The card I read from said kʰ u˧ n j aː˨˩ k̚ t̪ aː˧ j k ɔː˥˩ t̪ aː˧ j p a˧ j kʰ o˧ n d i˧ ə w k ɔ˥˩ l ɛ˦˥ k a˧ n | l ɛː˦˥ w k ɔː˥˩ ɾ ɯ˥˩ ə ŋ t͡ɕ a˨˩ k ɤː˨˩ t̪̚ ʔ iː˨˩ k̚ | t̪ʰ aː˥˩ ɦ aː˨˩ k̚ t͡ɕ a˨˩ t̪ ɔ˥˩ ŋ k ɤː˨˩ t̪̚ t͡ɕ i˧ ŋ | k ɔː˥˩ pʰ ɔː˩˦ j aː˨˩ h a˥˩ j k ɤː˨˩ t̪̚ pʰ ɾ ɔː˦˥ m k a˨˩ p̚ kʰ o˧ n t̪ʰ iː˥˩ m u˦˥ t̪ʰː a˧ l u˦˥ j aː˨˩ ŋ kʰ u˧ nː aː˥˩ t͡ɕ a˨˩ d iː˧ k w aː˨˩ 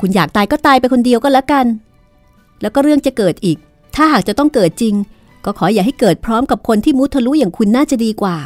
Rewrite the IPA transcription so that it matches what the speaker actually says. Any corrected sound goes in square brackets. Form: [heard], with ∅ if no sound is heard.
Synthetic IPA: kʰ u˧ n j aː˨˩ k̚ t̪ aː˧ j k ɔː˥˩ t̪ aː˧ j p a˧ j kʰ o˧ n d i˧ ə w k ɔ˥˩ l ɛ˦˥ k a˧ n | l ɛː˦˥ w k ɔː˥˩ ɾ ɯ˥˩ ə ŋ t͡ɕ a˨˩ k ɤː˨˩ t̪̚ ʔ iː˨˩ k̚ | t̪ʰ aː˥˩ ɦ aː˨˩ k̚ t͡ɕ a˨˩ t̪ ɔ˥˩ ŋ k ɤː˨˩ t̪̚ t͡ɕ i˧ ŋ | k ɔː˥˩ [kʰ] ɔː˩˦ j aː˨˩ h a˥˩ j k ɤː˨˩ t̪̚ pʰ ɾ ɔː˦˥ m k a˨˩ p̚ kʰ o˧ n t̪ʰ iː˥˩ m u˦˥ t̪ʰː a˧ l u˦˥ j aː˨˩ ŋ kʰ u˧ nː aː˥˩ t͡ɕ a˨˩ d iː˧ k w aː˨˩